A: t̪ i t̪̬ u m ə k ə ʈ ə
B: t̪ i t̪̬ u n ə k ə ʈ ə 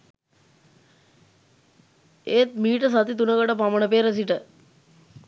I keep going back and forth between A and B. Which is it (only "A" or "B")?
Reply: B